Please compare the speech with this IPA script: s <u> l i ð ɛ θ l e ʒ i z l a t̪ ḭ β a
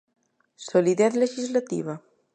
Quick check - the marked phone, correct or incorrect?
incorrect: o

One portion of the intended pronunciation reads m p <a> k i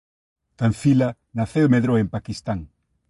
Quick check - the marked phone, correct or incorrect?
correct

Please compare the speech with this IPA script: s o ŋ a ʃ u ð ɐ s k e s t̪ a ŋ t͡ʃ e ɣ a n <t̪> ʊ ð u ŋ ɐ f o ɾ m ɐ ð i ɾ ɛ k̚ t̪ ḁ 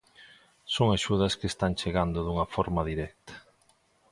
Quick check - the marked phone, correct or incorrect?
incorrect: d̪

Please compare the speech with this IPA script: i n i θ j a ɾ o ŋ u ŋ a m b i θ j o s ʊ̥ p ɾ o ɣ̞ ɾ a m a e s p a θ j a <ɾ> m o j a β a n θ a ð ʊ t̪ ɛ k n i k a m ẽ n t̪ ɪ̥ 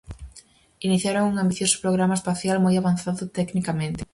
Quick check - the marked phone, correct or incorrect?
incorrect: l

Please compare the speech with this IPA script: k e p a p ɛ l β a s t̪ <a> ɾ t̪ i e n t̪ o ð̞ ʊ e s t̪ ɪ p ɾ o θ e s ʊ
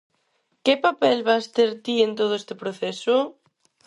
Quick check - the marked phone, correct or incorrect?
incorrect: e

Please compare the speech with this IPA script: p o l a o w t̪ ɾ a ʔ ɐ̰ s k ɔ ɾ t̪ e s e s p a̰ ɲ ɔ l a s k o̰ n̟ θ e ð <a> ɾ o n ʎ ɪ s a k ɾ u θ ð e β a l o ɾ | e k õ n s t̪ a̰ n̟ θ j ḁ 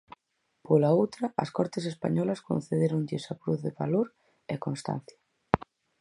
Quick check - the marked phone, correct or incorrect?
incorrect: e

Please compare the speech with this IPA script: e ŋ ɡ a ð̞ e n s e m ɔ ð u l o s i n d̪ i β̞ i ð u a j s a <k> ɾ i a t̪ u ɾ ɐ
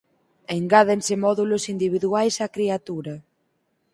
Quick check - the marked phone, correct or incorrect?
correct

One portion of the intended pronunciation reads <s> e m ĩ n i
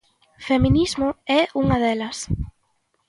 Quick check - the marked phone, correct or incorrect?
incorrect: f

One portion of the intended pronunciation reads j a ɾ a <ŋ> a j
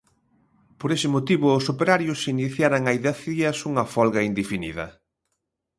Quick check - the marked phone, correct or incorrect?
correct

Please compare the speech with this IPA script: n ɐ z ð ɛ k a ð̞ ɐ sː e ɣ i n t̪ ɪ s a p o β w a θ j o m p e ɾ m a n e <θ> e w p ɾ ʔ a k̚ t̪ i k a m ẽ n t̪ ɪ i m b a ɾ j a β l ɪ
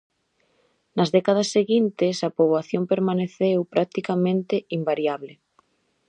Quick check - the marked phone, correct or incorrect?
correct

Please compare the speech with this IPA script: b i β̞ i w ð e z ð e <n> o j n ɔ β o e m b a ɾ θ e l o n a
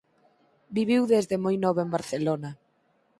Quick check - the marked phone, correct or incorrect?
incorrect: m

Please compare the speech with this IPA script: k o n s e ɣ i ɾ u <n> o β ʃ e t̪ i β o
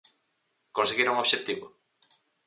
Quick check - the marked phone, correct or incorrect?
incorrect: ŋ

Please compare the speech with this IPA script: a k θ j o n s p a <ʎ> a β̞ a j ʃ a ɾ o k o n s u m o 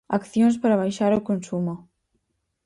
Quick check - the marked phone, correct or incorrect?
incorrect: ɾ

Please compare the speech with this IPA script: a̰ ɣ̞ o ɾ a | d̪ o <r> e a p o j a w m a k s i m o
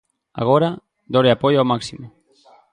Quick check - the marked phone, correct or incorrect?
incorrect: ɾ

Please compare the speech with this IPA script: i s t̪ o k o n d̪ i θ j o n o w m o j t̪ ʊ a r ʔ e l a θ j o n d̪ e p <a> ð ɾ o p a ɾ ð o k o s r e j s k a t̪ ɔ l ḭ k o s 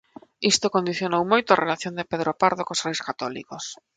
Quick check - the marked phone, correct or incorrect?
incorrect: e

